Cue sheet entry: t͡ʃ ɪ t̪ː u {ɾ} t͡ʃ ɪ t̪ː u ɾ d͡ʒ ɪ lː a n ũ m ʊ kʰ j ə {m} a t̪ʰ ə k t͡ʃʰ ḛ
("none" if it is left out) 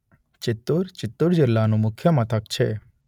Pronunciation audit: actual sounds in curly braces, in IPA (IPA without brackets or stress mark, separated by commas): ɾ, m